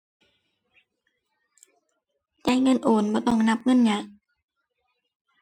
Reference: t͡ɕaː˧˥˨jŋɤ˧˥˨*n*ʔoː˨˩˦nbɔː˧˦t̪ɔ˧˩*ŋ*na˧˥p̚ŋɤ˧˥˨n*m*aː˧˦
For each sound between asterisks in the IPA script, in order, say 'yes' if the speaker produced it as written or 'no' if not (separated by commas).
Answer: yes, yes, no